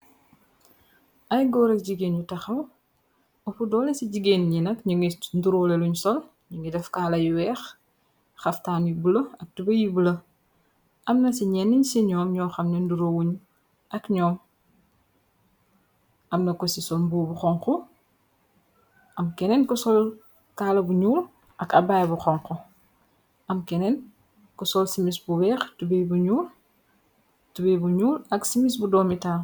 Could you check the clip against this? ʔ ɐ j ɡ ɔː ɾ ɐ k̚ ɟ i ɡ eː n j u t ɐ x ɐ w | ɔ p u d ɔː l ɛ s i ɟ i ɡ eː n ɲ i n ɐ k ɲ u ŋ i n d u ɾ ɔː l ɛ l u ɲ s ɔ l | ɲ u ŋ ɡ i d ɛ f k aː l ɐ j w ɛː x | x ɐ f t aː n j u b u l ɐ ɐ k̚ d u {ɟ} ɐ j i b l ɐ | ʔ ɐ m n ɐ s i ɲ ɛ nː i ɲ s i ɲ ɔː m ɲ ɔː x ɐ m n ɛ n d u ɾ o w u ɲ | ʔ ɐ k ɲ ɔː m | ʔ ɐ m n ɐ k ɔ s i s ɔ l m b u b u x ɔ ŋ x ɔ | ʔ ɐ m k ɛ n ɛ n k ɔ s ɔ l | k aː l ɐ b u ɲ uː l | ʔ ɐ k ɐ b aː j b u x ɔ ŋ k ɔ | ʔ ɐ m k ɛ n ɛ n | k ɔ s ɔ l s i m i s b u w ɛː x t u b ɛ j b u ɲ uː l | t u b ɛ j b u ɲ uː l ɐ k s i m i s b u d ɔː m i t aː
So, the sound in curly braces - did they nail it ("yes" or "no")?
no